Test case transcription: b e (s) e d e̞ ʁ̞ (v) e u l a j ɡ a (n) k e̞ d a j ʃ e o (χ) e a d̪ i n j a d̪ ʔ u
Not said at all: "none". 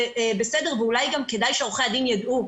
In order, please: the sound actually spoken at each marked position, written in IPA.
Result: s, v, m, χ

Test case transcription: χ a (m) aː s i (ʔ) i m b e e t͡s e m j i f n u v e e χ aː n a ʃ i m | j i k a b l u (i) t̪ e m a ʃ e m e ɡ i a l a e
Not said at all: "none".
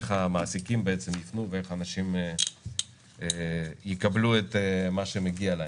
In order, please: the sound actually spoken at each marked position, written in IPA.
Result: m, k, e

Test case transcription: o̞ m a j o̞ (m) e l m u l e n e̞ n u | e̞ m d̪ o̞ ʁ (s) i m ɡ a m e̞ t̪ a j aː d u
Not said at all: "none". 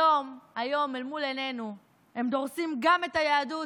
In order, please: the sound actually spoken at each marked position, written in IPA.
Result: m, s

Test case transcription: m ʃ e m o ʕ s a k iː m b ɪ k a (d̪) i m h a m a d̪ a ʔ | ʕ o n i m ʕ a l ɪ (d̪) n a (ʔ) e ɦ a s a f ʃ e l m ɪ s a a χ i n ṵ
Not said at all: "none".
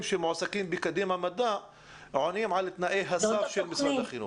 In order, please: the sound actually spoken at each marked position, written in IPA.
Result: d̪, t̪, ʔ

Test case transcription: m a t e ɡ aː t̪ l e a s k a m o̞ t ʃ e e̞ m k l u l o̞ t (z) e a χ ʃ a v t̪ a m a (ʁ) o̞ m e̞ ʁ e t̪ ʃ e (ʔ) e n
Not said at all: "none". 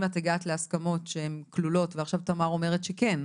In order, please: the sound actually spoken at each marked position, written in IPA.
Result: v, ʁ, k

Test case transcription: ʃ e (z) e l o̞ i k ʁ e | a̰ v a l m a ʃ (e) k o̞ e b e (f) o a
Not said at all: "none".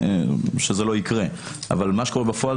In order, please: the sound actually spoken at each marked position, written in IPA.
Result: z, e, f

